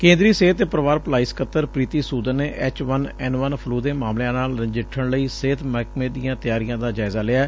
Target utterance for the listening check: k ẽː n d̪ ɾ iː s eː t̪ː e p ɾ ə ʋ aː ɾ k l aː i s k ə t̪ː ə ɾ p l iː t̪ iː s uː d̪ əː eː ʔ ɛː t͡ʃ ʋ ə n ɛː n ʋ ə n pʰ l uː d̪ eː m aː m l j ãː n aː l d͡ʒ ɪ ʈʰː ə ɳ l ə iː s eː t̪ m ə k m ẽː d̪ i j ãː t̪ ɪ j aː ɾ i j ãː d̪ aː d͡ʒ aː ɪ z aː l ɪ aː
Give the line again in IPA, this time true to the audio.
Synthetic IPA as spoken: k ẽː n d̪ ɾ iː s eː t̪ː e p ɾ ə ʋ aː ɾ p l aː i s k ə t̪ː ə ɾ p ɾ iː t̪ iː s uː d̪ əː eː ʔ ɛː t͡ʃ ʋ ə n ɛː n ʋ ə n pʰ l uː d̪ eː m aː m l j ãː n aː l d͡ʒ ɪ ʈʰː ə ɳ l ə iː s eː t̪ m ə k m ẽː d̪ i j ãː t̪ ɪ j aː ɾ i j ãː d̪ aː d͡ʒ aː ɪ z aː l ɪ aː

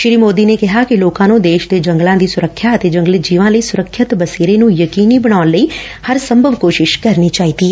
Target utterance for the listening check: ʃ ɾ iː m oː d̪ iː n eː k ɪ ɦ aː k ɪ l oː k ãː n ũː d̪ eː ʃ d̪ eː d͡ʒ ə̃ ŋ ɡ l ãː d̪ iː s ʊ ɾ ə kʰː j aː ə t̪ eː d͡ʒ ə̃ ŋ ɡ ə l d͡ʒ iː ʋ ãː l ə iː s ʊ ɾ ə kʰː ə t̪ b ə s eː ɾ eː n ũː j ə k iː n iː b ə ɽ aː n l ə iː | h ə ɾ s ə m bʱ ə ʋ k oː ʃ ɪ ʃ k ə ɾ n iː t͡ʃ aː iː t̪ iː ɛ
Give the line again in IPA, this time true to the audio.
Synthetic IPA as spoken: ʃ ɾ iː m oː d̪ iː n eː k ɪ ɦ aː k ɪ l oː k ãː n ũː d̪ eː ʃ d̪ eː d͡ʒ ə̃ ŋ ɡ l ãː d̪ iː s ʊ ɾ ə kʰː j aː ə t̪ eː d͡ʒ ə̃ ŋ ɡ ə l d͡ʒ iː ʋ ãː l ə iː s ʊ ɾ ə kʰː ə t̪ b ə s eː ɾ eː n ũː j ə k iː n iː b ə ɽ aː n l ə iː | h ə ɾ s ə m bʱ ə ʋ k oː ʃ ɪ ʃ k ə ɾ n iː t͡ʃ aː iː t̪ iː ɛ

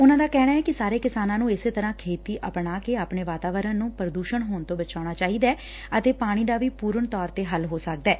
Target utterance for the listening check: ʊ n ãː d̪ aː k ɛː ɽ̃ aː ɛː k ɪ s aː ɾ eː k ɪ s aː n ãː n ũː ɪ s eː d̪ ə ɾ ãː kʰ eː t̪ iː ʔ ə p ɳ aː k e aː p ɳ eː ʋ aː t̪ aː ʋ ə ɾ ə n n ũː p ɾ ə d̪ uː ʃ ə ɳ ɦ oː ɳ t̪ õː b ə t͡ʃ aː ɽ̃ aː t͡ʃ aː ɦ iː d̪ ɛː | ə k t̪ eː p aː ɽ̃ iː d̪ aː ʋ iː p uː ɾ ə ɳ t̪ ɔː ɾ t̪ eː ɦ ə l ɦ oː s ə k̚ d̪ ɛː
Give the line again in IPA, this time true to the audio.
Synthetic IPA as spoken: ʊ n ãː d̪ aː k ɛː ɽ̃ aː ɛː k ɪ s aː ɾ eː k ɪ s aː n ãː n ũː ɪ s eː t̪ ə ɾ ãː kʰ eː t̪ iː ʔ ə p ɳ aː k e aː p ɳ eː ʋ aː t̪ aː ʋ ə ɾ ə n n ũː p ɾ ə d̪ uː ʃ ə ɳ ɦ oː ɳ t̪ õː b ə t͡ʃ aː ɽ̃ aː t͡ʃ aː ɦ iː d̪ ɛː | ə t̪ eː p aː ɽ̃ iː d̪ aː ʋ iː p uː ɾ ə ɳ t̪ ɔː ɾ t̪ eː ɦ ə l ɦ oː s ə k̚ d̪ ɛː

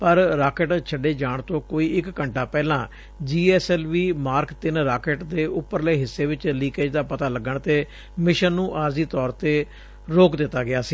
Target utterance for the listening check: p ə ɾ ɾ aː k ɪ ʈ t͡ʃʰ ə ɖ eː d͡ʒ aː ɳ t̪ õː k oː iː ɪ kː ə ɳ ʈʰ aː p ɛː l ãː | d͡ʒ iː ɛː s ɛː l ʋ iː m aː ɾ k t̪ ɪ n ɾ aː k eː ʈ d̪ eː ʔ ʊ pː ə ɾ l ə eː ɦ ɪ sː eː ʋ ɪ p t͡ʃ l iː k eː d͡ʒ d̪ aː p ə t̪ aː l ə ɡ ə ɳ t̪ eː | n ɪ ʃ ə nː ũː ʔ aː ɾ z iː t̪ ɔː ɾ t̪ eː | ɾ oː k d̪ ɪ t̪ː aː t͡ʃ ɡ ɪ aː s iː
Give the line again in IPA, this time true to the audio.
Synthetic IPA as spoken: p ə ɾ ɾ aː k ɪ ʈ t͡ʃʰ ə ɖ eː d͡ʒ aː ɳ t̪ õː k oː iː ɪ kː ə ɳ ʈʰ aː p ɛː l ãː | d͡ʒ iː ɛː s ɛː l ʋ iː m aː ɾ k t̪ ɪ n ɾ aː k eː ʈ d̪ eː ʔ ʊ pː ə ɾ l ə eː ɦ ɪ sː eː ʋ ɪ t͡ʃ l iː k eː d͡ʒ d̪ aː p ə t̪ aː l ə ɡ ə ɳ t̪ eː | m ɪ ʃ ə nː ũː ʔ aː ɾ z iː t̪ ɔː ɾ t̪ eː | ɾ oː k d̪ ɪ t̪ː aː ɡ ɪ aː s iː

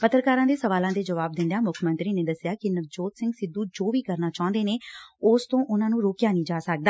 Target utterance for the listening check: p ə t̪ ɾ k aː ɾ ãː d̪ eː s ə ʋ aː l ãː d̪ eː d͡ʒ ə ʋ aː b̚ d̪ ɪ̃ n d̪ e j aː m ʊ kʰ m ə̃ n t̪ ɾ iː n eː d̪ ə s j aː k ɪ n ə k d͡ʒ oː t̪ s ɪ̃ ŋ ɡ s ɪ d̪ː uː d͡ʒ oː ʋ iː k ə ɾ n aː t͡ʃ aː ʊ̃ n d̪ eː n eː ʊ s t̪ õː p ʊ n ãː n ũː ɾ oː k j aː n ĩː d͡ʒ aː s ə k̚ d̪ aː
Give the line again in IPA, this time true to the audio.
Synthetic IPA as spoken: p ə t̪ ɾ k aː ɾ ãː d̪ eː s ə ʋ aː l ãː d̪ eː d͡ʒ ə ʋ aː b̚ d̪ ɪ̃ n d̪ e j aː m ʊ kʰ m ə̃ n t̪ ɾ iː n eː d̪ ə s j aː k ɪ n ə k d͡ʒ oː t̪ s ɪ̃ ŋ ɡ s ɪ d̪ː uː d͡ʒ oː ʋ iː k ə ɾ n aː t͡ʃ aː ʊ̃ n d̪ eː n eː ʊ s t̪ õː ʔ ʊ n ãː n ũː ɾ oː k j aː n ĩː d͡ʒ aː s ə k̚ d̪ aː

